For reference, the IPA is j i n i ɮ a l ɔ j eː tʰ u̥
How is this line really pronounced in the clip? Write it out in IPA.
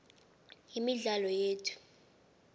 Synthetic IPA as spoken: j i m i ɮ a l ɔ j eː tʰ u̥